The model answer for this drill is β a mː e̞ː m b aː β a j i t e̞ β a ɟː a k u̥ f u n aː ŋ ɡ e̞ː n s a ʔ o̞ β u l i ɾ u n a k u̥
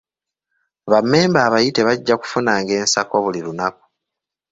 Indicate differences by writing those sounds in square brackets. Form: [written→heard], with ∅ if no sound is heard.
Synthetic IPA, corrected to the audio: β a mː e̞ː m b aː β a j i t e̞ β a ɟː a k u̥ f u n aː ŋ ɡ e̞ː n s a [ʔ→k] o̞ β u l i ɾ u n a k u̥